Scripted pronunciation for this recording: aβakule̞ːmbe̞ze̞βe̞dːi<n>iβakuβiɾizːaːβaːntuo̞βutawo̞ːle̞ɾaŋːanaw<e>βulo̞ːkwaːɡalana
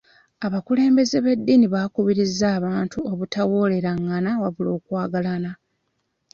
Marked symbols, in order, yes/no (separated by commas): yes, no